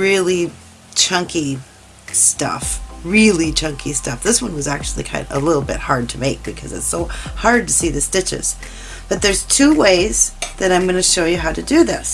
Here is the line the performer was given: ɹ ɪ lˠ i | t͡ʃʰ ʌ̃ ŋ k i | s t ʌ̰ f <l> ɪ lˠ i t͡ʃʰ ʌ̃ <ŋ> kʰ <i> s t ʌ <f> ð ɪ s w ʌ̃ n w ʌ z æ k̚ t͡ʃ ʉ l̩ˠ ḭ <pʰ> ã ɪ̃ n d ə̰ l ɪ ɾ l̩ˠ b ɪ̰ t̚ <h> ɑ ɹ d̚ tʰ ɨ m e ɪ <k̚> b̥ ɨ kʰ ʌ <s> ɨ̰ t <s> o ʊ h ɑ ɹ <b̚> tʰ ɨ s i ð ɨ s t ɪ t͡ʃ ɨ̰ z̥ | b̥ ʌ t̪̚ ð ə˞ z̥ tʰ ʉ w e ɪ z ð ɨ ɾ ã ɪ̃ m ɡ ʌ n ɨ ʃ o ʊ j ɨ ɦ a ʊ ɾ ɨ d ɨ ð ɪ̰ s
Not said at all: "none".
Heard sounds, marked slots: ɹ, ŋ, i, f, kʰ, h, k̚, z, s, d̚

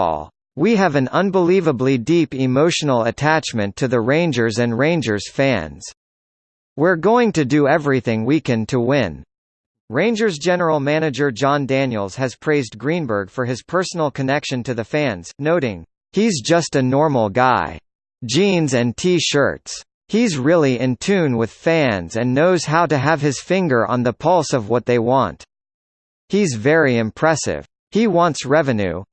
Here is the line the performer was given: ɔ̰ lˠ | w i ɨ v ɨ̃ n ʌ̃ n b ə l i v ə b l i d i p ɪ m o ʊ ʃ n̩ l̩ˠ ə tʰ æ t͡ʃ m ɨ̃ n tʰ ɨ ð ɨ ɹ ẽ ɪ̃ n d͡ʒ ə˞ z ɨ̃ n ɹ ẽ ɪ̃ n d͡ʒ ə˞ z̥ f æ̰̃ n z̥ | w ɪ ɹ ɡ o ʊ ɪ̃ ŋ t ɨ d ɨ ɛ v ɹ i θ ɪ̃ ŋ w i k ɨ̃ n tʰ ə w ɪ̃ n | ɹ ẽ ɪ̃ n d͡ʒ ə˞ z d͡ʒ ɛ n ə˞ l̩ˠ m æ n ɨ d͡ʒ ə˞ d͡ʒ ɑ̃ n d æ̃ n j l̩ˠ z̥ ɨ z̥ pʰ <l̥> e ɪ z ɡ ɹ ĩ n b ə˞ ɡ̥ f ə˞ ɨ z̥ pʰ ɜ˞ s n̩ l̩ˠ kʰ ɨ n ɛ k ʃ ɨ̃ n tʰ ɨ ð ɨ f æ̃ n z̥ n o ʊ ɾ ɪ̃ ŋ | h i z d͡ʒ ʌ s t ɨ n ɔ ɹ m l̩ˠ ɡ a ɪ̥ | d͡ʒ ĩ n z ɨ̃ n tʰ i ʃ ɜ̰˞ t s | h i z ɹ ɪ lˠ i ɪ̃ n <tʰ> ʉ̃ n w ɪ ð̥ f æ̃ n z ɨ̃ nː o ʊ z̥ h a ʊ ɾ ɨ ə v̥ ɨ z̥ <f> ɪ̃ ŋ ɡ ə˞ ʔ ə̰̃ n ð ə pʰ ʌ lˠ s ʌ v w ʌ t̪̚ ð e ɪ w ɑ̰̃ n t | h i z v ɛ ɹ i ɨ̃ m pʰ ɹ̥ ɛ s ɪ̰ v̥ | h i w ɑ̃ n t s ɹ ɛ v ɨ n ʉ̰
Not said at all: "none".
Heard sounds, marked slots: ɹ̥, tʰ, f

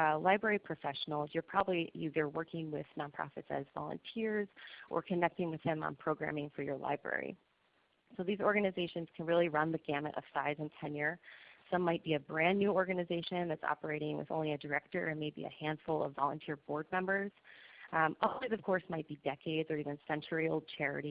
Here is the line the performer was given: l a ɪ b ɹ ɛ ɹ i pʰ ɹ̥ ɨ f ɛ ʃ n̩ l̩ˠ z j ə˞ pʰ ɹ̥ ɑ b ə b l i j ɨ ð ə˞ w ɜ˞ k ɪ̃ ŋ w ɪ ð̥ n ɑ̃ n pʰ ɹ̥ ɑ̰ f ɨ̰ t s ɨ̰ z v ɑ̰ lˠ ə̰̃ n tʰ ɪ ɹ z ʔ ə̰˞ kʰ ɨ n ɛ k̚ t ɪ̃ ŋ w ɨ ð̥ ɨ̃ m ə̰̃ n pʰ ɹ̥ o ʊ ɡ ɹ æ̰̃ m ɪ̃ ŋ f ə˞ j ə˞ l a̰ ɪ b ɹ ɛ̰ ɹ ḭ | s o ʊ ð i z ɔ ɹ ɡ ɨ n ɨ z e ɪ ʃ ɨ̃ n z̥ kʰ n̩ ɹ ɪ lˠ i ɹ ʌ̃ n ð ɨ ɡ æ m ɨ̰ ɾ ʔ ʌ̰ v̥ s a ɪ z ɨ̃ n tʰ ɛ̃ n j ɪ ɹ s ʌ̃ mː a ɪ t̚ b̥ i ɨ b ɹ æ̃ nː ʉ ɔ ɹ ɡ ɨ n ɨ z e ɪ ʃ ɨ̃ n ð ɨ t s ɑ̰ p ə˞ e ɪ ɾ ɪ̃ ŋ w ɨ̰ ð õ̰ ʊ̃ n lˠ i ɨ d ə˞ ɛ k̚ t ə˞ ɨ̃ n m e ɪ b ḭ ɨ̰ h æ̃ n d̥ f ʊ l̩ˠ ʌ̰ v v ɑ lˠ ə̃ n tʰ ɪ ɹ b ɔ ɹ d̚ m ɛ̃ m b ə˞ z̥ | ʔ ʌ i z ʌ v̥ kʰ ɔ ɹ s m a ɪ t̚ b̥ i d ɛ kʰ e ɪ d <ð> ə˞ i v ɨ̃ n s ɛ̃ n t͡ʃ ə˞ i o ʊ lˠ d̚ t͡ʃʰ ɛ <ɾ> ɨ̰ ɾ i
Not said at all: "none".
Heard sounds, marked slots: z, ɹ

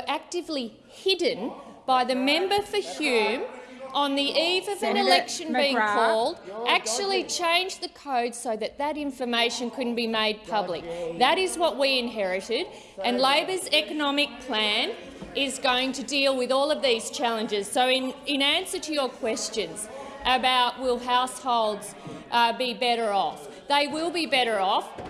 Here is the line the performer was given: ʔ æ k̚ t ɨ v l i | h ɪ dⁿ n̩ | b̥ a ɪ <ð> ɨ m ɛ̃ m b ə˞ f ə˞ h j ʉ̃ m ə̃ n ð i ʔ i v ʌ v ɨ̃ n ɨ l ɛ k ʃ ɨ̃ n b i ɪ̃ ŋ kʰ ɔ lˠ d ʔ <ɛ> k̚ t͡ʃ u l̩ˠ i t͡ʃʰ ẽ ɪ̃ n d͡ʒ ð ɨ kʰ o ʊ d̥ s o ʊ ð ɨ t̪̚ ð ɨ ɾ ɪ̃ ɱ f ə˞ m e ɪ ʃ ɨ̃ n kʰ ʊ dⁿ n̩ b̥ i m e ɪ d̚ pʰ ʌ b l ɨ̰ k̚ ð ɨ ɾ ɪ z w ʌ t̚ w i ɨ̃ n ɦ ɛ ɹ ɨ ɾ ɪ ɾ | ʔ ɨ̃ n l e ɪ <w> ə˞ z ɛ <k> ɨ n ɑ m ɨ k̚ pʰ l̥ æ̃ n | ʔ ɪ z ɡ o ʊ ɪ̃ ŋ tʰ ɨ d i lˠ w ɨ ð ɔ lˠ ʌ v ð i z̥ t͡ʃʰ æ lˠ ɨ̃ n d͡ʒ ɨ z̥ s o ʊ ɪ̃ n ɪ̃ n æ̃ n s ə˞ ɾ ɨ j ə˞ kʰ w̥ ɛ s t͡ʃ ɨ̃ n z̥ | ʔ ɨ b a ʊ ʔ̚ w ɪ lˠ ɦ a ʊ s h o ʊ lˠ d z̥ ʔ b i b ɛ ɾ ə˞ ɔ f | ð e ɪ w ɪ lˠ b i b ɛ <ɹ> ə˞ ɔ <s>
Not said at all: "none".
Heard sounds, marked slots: ð, æ, b, k, ɾ, f

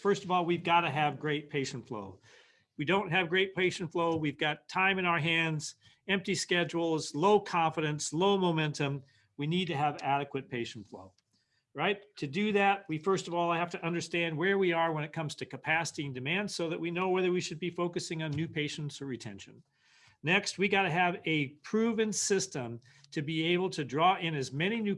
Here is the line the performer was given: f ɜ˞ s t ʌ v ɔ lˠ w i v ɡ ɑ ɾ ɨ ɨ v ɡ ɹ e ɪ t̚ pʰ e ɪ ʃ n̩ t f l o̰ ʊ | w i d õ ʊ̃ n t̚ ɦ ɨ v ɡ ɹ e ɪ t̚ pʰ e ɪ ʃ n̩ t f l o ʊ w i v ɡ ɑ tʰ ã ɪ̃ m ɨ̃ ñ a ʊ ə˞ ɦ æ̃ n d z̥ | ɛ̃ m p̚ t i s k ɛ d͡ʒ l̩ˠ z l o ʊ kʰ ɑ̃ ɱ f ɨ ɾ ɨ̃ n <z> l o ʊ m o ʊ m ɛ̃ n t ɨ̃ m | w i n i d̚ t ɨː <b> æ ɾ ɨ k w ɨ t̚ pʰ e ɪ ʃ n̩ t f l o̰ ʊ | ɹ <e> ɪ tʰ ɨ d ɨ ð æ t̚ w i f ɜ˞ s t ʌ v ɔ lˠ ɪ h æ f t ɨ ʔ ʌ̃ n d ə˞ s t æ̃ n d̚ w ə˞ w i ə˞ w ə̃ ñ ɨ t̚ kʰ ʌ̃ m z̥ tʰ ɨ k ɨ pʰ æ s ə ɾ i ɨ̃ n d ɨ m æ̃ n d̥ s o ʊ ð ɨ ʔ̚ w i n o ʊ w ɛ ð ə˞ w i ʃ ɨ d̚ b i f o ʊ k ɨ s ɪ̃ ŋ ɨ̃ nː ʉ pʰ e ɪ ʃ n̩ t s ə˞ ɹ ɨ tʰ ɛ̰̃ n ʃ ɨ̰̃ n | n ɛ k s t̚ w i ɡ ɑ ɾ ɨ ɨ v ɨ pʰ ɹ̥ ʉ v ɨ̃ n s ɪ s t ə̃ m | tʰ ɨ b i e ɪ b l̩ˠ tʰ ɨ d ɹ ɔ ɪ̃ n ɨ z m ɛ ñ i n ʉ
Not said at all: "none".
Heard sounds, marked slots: s, v, a

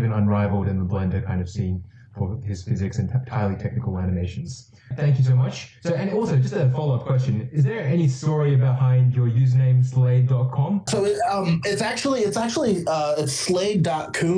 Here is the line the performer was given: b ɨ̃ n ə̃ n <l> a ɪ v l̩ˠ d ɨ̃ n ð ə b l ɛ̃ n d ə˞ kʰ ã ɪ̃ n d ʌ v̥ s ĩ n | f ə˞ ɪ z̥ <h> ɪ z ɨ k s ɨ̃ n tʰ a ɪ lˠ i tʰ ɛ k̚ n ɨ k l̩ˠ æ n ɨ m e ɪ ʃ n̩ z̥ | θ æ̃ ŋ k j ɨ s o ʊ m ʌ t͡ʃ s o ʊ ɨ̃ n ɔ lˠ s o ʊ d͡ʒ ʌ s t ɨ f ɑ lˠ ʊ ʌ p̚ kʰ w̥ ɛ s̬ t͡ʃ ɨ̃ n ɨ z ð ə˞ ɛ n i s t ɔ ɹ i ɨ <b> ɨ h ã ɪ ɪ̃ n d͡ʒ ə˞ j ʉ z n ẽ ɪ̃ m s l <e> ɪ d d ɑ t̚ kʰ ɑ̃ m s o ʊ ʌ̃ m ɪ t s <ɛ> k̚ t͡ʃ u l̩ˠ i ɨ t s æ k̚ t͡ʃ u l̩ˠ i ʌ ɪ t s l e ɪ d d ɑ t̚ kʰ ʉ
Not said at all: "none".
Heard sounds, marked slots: ɹ, f, b, e, æ

